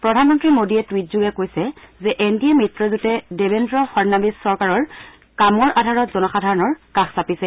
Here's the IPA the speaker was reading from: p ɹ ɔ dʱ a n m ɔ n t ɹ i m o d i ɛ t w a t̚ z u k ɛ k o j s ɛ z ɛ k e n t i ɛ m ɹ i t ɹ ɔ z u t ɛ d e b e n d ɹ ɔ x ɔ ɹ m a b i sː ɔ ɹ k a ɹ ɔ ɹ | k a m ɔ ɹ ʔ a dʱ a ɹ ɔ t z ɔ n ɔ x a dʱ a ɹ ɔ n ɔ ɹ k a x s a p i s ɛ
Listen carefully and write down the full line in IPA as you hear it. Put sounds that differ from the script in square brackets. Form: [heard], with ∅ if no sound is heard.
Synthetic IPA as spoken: p ɹ ɔ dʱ a n m ɔ n t ɹ i m o d i ɛ t w [i] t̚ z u [ɡ] ɛ k o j s ɛ z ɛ [ʔ] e n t i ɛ m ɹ i t ɹ ɔ z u t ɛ d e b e n d ɹ ɔ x ɔ ɹ [n] a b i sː ɔ ɹ k a ɹ ɔ ɹ | k a m ɔ ɹ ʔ a dʱ a ɹ ɔ t z ɔ n ɔ x a dʱ a ɹ ɔ n ɔ ɹ k a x s a p i s ɛ